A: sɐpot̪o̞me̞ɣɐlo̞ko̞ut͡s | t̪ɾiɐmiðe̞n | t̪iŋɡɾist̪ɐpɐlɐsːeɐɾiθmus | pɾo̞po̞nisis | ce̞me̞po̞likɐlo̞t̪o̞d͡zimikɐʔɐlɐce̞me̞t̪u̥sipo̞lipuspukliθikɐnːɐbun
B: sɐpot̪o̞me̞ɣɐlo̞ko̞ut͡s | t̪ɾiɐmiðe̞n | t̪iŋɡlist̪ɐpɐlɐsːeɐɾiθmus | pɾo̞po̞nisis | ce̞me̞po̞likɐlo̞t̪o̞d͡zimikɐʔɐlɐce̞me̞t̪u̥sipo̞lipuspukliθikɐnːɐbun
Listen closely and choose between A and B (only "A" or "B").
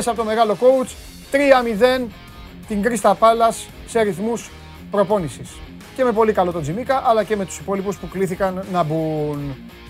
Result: A